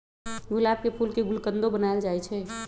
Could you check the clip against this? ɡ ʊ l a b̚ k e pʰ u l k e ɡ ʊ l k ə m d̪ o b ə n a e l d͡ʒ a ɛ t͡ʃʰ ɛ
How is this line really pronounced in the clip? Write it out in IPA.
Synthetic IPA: ɡ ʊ l a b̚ k e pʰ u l k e ɡ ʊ l k ə n d̪ o b ə n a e l d͡ʒ a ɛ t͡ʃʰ ɛ